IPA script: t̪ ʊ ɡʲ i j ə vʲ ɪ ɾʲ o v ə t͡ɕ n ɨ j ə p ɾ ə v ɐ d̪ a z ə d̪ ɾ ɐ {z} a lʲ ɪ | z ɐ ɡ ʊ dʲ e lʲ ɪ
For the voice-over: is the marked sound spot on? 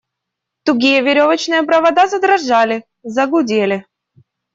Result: no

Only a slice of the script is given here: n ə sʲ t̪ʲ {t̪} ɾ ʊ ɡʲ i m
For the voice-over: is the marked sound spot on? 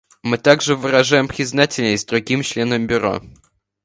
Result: no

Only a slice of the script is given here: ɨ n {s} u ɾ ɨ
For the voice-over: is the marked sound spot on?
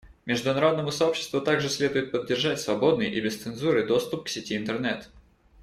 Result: no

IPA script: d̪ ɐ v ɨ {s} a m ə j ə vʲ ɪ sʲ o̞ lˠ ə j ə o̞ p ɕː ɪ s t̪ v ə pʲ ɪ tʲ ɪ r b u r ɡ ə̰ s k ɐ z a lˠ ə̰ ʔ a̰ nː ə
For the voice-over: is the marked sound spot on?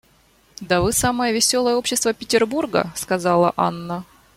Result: yes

